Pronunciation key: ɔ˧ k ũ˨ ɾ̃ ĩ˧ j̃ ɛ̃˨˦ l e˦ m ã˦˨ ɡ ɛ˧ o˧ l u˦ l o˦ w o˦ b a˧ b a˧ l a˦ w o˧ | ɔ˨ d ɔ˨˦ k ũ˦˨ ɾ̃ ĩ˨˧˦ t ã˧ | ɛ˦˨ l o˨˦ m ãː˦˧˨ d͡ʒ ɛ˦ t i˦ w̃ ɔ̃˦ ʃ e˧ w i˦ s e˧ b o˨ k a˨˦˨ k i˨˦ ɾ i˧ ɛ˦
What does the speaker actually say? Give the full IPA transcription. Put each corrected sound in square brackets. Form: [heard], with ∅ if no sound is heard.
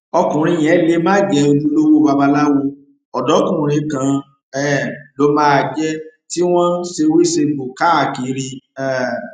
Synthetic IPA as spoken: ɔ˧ k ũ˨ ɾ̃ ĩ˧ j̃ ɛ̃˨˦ l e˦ m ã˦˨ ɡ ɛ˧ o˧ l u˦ l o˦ w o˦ b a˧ b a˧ l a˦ w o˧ | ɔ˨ d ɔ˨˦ k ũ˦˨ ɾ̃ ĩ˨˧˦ [k] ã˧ | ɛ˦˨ l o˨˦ m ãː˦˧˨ d͡ʒ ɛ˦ t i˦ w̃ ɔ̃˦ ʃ e˧ w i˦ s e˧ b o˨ k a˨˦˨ k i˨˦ ɾ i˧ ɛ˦